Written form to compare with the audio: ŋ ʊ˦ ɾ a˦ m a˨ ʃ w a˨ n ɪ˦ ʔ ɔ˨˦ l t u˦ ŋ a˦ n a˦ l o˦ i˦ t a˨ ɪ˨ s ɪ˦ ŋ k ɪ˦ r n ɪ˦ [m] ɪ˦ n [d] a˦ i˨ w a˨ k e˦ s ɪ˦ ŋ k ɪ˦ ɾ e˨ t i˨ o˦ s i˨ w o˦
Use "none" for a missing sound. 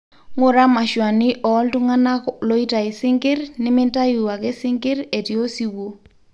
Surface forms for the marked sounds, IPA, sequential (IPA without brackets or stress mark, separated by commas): m, t